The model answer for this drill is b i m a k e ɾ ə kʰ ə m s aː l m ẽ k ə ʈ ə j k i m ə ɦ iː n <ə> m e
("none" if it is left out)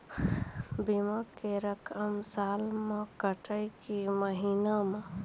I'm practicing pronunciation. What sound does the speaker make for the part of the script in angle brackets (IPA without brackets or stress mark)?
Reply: a